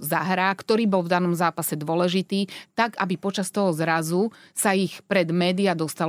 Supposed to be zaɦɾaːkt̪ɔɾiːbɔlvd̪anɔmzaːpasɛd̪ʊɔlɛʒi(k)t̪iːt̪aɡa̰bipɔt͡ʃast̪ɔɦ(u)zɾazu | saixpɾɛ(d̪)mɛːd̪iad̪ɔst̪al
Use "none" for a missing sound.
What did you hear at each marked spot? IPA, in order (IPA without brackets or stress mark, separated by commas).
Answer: none, ɔ, d̪